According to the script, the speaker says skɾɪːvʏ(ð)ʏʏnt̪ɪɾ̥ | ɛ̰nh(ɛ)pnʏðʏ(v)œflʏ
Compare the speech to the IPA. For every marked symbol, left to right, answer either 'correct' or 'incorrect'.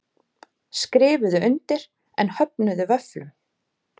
correct, incorrect: œ, correct

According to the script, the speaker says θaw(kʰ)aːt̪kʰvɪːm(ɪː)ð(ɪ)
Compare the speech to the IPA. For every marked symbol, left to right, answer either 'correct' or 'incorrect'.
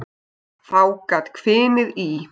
incorrect: k, incorrect: ɪ, incorrect: i

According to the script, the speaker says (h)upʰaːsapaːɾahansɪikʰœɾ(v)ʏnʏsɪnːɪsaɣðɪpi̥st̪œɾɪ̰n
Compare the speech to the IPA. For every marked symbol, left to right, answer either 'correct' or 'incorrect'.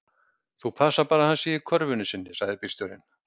incorrect: θ, correct

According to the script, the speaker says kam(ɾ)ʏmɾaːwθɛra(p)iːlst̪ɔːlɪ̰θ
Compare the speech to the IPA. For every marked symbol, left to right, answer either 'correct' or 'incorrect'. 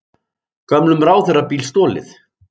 incorrect: l, correct

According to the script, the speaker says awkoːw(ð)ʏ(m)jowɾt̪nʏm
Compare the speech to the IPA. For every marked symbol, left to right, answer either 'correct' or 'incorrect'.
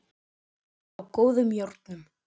correct, correct

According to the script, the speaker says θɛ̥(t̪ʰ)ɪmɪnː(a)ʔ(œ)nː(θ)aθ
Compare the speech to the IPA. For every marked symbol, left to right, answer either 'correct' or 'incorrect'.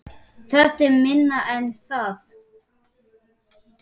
incorrect: t̪, correct, incorrect: ɛ, correct

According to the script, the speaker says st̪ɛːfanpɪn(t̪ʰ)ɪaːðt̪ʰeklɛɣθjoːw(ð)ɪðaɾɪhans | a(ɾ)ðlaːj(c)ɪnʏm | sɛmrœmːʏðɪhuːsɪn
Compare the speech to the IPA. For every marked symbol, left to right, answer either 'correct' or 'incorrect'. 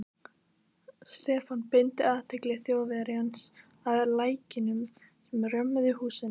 incorrect: t̪, incorrect: v, incorrect: none, correct

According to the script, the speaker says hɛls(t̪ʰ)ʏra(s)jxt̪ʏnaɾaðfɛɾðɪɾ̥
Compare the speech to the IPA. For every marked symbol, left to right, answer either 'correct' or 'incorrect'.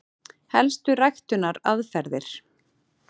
incorrect: t̪, incorrect: none

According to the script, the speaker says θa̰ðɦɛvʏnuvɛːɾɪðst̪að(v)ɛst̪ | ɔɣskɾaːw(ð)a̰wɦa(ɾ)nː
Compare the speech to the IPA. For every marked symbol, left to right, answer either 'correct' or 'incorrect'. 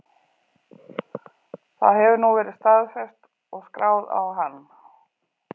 incorrect: f, correct, incorrect: none

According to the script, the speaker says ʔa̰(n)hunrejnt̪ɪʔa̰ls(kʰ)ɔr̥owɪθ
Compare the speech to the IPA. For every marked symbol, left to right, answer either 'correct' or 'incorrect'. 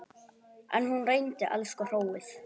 correct, incorrect: k

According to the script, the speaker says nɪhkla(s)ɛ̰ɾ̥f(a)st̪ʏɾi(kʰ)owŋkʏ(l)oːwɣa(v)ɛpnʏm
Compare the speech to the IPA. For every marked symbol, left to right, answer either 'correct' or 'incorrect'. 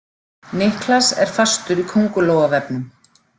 correct, correct, correct, correct, correct

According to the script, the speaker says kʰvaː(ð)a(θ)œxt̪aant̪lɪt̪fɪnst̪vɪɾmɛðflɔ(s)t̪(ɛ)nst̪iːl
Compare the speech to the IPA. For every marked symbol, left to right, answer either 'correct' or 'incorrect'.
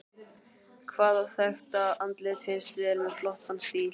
correct, correct, incorrect: h, incorrect: a

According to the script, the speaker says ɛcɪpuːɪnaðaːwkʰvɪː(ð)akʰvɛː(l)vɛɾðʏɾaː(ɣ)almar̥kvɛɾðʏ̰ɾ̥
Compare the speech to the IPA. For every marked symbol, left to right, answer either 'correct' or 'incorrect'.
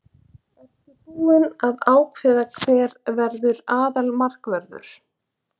correct, incorrect: ɾ, incorrect: ð

